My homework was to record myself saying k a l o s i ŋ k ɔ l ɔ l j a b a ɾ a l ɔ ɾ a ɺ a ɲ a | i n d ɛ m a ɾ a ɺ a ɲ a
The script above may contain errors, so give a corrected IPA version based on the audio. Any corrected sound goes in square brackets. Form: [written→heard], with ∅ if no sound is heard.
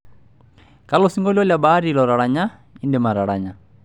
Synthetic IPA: k a l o s i ŋ [k→ɡ] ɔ l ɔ l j a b a ɾ [a→i] l ɔ ɾ a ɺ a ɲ a | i n d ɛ m a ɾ a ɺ a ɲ a